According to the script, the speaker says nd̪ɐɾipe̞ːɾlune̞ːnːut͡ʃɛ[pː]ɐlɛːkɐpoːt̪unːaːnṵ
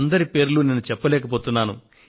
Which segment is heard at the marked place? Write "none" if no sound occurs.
pː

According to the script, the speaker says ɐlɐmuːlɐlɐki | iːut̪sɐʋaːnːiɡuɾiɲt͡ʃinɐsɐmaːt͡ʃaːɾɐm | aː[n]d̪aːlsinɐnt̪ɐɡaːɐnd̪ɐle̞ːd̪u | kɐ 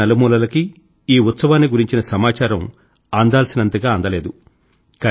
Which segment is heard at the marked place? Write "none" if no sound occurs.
n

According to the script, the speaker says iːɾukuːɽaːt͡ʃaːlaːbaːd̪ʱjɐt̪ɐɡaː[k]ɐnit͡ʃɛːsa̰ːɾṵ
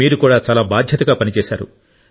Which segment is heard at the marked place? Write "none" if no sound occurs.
p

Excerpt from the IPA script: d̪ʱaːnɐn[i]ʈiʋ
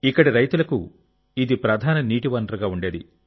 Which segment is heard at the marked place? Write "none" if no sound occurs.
iː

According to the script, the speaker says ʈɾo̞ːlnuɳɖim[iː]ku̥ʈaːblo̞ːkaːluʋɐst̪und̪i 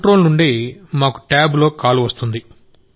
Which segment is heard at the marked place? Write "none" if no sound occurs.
aː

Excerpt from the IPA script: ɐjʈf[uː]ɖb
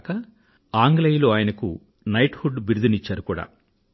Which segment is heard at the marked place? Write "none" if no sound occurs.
u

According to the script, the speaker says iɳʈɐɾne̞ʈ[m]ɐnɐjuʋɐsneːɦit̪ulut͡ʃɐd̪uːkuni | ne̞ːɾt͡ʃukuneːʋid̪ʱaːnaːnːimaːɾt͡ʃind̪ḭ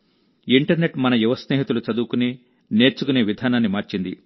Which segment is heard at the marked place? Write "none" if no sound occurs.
m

